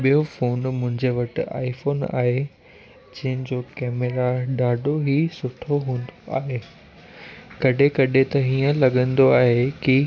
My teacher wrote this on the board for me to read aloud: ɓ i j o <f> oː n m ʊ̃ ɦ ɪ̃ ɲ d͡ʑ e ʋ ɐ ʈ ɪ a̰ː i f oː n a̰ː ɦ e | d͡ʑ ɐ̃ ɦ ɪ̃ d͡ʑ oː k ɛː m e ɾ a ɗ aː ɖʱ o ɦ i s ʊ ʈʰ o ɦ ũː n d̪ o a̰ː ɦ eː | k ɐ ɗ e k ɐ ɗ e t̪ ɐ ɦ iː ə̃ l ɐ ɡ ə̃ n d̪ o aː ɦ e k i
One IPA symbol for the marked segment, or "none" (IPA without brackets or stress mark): f